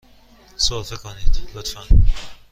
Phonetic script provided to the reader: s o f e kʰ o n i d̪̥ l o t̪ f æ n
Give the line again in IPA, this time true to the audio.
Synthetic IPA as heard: s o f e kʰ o n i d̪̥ l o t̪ f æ n